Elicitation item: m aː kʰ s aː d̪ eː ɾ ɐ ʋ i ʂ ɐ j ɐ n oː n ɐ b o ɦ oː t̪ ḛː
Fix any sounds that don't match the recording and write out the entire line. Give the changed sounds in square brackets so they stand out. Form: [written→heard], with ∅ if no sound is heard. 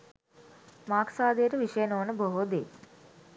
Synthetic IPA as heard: m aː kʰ s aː d̪ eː ɾ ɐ ʋ i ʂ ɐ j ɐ n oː n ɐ b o ɦ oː [t̪→d̪] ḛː